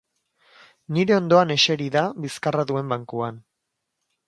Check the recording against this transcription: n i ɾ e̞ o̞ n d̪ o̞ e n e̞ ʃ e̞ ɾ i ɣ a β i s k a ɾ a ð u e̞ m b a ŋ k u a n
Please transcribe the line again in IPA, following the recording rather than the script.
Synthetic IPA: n i ɾ e̞ o̞ n d̪ o̞ a n e̞ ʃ e̞ ɾ i ð a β i s k a r a ð u e̞ m b a ŋ k u a n

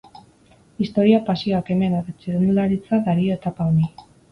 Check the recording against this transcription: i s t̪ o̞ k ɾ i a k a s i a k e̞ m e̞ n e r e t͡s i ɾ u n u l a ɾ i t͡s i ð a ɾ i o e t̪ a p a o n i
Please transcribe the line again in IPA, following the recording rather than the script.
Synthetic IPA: i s t̪ o̞ ɾ i a p a s i a k e̞ m e̞ n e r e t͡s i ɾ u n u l a ɾ i t͡s a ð a ɾ i o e t̪ a p a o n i

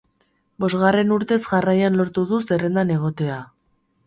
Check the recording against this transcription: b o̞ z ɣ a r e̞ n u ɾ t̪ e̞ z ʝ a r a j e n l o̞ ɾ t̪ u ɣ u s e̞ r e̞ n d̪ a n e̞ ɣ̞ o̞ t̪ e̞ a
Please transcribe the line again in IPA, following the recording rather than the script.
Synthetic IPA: b o̞ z ɣ a r e̞ n u ɾ t̪ e̞ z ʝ a r a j a n l o̞ ɾ t̪ u ð u s e̞ r e̞ n d̪ a n e̞ ɣ̞ o̞ t̪ e̞ a

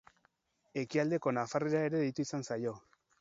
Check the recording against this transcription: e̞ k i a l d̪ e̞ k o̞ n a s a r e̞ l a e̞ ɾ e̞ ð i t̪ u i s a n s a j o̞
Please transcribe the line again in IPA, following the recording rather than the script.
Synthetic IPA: e̞ k i a l d̪ e̞ k o̞ n a f a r e̞ ɾ a e̞ ɾ e̞ ð i t̪ u i s a n s a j o̞

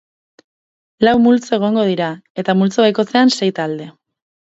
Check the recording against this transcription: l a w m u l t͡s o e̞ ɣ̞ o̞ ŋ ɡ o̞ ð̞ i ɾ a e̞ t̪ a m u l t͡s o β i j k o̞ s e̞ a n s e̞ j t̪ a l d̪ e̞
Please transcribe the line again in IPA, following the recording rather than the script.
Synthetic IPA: l a w m u l t͡s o e̞ ɣ̞ o̞ ŋ ɡ o̞ ð̞ i ɾ a e̞ t̪ a m u l t͡s o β a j k o̞ t͡s e̞ a n s e̞ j t̪ a l d̪ e̞

